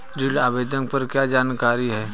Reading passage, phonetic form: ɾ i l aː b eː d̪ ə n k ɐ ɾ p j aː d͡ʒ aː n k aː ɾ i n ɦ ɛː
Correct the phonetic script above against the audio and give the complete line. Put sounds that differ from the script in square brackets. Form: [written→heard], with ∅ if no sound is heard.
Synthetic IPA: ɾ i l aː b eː d̪ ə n [k→p] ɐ ɾ [p→k] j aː d͡ʒ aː n k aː ɾ i [n→∅] ɦ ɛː